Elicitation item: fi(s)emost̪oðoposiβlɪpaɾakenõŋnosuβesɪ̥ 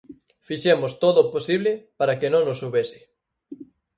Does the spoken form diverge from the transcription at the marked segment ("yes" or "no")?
yes